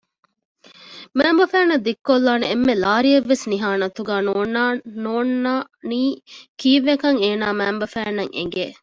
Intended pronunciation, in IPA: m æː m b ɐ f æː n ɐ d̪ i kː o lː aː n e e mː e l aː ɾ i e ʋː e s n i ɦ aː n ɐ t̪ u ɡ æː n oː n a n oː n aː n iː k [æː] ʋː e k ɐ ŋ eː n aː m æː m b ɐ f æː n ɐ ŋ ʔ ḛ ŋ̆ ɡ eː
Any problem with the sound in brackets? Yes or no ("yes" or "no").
yes